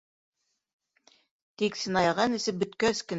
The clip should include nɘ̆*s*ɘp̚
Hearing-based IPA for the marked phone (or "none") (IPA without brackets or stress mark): s